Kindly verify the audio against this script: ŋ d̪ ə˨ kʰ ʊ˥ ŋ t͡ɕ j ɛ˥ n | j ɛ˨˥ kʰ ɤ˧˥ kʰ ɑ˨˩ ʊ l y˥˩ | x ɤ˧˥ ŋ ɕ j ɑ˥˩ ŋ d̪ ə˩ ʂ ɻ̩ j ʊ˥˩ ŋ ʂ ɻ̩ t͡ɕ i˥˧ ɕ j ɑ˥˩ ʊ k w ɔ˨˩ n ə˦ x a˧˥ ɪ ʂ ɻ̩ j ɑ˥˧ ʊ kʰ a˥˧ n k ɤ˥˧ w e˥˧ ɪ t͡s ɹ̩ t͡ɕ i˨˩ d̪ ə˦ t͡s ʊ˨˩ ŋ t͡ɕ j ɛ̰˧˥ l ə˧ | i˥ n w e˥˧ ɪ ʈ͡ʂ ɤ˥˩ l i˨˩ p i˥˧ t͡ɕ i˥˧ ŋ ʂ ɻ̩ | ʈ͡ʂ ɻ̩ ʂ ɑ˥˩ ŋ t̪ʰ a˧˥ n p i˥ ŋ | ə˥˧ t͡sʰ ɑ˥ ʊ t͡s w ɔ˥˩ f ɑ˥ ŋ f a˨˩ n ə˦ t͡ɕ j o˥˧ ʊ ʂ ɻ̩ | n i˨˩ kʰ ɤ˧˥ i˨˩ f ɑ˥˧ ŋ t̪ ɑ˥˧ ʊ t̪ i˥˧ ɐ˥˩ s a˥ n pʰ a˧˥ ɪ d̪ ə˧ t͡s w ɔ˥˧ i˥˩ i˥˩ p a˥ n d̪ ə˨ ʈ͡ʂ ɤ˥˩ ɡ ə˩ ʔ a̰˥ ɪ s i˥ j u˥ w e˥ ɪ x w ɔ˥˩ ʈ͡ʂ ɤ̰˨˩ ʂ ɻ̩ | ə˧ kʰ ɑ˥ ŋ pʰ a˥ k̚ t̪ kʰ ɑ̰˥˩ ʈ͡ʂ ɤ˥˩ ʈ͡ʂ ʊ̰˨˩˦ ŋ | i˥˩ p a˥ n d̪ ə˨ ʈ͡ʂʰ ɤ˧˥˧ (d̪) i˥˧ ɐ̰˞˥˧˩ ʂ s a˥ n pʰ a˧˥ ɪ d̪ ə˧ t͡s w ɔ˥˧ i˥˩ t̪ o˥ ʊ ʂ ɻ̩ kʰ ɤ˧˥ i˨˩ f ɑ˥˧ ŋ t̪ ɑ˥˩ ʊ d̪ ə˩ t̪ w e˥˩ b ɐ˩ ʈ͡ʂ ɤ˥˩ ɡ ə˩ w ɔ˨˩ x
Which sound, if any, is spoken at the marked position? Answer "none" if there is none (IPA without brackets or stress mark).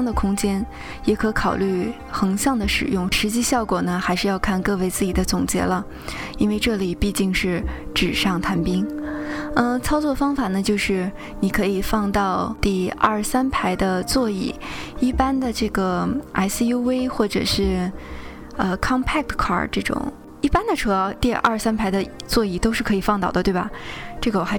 t̪